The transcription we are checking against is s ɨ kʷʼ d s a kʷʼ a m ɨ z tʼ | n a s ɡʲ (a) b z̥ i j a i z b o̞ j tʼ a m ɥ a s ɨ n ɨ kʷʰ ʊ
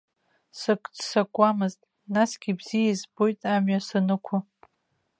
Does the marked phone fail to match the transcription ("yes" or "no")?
yes